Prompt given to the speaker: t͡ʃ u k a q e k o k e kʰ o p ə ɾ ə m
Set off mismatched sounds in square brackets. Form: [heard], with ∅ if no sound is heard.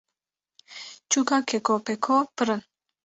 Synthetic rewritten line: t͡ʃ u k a [k] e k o [p] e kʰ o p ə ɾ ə [n]